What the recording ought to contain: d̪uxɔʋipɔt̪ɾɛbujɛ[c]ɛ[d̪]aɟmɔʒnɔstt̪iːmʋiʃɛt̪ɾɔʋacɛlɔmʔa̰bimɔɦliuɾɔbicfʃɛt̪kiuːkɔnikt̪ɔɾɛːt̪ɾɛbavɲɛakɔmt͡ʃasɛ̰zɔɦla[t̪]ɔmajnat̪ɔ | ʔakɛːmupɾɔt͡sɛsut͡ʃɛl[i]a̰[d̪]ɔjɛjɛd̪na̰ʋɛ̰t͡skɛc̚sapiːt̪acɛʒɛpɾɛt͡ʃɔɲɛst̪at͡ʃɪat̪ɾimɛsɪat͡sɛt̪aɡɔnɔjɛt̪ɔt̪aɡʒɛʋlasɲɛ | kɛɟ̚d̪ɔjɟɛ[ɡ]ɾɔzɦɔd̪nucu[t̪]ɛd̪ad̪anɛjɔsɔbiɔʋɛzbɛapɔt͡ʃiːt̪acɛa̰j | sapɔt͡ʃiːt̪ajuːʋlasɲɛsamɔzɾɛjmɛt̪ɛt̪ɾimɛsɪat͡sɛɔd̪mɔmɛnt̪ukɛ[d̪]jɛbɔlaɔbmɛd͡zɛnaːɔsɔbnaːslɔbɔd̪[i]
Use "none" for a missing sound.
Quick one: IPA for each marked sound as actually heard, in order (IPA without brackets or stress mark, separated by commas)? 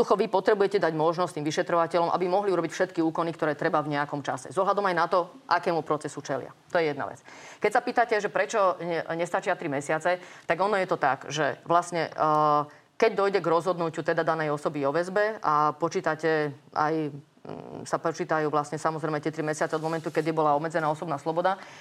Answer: c, d̪, d̪, ɪ, t̪, ɡ, t̪, d̪, a